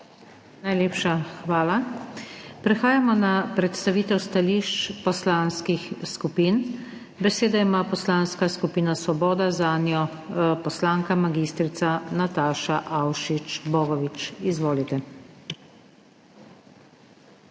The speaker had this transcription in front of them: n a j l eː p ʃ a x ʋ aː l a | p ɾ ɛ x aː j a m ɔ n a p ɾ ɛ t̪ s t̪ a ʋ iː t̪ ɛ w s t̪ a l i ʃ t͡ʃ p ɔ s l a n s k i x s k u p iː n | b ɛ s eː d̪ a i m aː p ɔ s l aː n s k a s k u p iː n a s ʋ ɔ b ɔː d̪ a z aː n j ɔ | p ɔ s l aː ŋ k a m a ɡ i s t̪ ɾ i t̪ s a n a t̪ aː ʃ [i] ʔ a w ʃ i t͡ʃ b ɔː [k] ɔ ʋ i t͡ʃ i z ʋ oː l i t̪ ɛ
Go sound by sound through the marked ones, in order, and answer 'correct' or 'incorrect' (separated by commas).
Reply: incorrect, incorrect